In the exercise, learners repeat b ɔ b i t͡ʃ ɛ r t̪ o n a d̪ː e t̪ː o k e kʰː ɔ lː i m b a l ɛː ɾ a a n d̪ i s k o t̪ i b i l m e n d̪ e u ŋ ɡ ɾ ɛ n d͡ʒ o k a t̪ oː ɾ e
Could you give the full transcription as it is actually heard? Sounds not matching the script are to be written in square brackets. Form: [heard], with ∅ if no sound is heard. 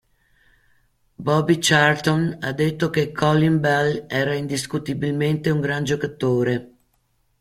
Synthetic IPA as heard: b ɔ b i t͡ʃ [a] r t̪ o n a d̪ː e t̪ː o k e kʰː ɔ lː i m b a l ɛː ɾ a [i] n d̪ i s k [u] t̪ i b i l m e n [t̪] e u ŋ ɡ ɾ [a] n d͡ʒ o k a t̪ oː ɾ e

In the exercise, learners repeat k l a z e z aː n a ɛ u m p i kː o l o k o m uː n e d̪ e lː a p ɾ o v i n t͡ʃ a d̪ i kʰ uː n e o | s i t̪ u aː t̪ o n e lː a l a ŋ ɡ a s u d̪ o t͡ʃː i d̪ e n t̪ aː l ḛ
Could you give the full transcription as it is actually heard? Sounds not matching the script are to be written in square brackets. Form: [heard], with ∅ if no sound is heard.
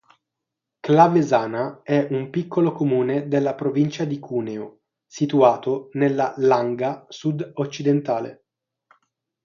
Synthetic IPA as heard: k l a [v] e z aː n a ɛ u m p i kː o l o k o m uː n e d̪ e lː a p ɾ o v i n t͡ʃ a d̪ i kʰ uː n e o | s i t̪ u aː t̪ o n e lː a l a ŋ ɡ a s u d̪ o t͡ʃː i d̪ e n t̪ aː l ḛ

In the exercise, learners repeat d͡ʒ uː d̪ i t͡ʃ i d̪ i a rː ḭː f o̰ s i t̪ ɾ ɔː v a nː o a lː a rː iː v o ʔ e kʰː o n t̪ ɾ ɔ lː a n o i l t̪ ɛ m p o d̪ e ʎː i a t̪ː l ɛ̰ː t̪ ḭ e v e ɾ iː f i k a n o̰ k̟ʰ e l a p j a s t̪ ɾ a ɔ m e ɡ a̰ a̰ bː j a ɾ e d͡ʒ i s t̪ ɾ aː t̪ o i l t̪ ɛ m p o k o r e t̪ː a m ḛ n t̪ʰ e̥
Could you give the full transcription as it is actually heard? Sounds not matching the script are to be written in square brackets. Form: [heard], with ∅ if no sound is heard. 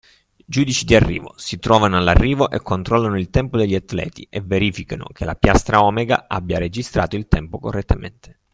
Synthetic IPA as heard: d͡ʒ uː d̪ i t͡ʃ i d̪ i a rː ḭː [v] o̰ s i t̪ ɾ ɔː v a [n] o a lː a rː iː v o ʔ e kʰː o n t̪ ɾ ɔ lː a n o i l t̪ ɛ m p o d̪ e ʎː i a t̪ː l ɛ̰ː t̪ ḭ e v e ɾ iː f i k a n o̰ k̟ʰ e l a p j a s t̪ ɾ a ɔ m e ɡ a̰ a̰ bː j a ɾ e d͡ʒ i s t̪ ɾ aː t̪ o i l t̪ ɛ m p o k o [rː] e t̪ː a m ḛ n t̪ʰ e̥

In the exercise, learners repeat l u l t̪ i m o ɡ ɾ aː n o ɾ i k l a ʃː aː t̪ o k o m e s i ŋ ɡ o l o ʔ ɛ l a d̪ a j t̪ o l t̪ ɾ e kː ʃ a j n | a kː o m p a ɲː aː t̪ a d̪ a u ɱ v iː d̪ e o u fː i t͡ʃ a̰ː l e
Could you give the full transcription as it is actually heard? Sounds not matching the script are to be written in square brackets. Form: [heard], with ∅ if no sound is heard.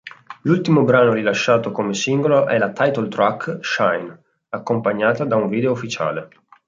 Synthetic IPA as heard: l u l t̪ i m o [b] ɾ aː n o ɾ i [∅] l a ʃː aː t̪ o k o m e s i ŋ ɡ o l o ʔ ɛ l a [t̪] a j t̪ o l t̪ ɾ [a] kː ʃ a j n | a kː o m p a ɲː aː t̪ a d̪ a u ɱ v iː d̪ e o u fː i t͡ʃ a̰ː l e

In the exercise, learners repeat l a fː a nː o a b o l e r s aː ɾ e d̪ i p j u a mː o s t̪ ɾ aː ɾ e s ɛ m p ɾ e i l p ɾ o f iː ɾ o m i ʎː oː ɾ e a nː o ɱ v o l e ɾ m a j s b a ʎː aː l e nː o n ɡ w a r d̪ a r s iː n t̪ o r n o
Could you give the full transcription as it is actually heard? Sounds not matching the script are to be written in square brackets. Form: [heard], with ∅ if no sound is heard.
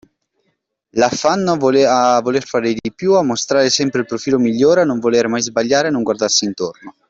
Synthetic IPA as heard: l a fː a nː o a [v] o l e r [f] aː ɾ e d̪ i p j u a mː o s t̪ ɾ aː ɾ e s ɛ m p ɾ e i l p ɾ o f iː [l] o m i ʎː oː ɾ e a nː o ɱ v o l e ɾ m a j [z] b a ʎː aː [ɾ] e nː o [ŋ] ɡ w a r d̪ a r s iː n t̪ o r n o

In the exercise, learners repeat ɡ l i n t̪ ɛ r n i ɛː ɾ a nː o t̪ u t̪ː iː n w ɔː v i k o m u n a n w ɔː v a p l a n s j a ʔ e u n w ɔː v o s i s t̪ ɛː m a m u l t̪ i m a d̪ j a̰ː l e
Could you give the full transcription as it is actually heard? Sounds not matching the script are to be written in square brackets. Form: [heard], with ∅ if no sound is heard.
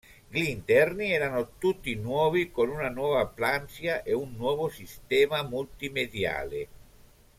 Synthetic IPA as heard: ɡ l i n t̪ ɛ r n i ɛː ɾ a [n] o t̪ u t̪ː [i] n w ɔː v i k o [n] u n a n w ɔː v a p l a n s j a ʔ e u [nː] w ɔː v o s i s t̪ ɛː m a m u l t̪ i m [e] d̪ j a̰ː l e

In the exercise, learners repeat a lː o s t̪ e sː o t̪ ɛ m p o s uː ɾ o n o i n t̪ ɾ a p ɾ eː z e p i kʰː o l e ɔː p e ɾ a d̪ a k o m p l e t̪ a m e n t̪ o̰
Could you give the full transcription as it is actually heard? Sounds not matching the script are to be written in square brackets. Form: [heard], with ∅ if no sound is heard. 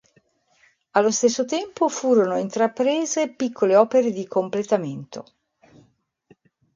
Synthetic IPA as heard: a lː o s t̪ e sː o t̪ ɛ m p o [f] uː ɾ o n o i n t̪ ɾ a p ɾ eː z e p i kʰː o l e ɔː p e ɾ [e] d̪ [i] k o m p l e t̪ a m e n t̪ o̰

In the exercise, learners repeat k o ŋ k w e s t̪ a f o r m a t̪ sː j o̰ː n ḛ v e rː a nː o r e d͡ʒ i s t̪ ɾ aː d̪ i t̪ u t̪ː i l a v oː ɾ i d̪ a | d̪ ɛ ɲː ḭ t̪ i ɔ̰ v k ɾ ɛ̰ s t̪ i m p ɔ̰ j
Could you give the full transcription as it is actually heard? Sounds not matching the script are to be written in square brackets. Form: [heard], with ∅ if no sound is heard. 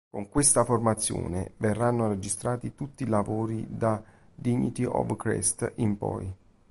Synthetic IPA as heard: k o ŋ k w e s t̪ a f o r m a t̪ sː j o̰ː n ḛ v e rː a nː o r e d͡ʒ i s t̪ ɾ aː [t̪] i t̪ u t̪ː i l a v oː ɾ i d̪ a | d̪ [i] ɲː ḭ t̪ i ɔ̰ v k ɾ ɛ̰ s t̪ i m p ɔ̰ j

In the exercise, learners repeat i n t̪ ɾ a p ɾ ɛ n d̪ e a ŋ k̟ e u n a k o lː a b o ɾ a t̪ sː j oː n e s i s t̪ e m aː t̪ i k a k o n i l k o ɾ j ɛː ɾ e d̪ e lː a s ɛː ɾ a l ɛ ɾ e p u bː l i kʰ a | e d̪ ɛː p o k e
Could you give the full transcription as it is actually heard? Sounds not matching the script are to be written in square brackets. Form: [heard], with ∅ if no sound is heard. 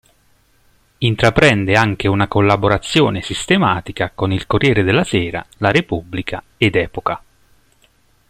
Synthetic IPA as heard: i n t̪ ɾ a p ɾ ɛ n d̪ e a ŋ k̟ e u n a k o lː a b o ɾ a t̪ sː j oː n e s i s t̪ e m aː t̪ i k a k o n i l k o [r] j ɛː ɾ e d̪ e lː a s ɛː ɾ a l [a] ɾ e p u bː l i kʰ a | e d̪ ɛː p o k [a]

